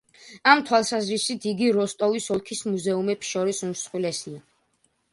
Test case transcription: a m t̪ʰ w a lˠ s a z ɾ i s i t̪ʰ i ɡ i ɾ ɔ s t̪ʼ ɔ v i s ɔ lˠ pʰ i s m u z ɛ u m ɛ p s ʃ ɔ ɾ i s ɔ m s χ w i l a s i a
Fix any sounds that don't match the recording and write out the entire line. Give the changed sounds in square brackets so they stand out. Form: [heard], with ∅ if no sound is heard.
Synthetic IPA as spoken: a m t̪ʰ w a lˠ s a z ɾ i s i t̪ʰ i ɡ i ɾ ɔ s t̪ʼ ɔ v i s ɔ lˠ [kʰ] i s m u z ɛ u m ɛ p s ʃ ɔ ɾ i s [u] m s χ w i l [ɛ] s i a